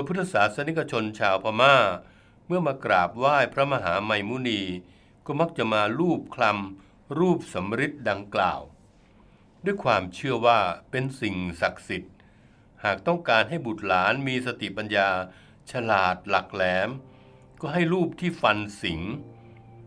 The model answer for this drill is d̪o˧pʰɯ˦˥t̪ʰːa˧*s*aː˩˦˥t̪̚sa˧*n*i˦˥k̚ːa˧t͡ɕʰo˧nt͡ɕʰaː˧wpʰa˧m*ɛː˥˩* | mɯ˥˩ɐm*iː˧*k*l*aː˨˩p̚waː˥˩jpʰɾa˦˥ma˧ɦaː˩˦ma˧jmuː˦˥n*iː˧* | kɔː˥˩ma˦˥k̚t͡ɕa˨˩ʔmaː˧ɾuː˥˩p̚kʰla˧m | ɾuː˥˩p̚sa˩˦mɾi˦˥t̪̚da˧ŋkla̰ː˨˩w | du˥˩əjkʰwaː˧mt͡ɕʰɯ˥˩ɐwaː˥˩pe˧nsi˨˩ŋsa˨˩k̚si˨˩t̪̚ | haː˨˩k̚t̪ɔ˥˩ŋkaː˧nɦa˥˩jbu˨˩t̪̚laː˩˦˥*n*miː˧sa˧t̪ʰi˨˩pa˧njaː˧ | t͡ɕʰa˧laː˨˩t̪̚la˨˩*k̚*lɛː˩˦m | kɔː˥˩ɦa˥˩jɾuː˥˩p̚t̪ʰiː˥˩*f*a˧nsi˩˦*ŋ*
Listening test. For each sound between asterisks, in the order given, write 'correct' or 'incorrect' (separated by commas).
correct, correct, incorrect, incorrect, incorrect, correct, correct, correct, correct, correct